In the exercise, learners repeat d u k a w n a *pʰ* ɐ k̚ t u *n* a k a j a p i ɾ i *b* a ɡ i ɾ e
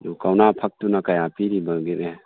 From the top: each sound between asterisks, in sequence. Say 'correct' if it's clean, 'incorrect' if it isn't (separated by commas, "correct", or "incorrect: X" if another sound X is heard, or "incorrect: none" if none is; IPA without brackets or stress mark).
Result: correct, correct, correct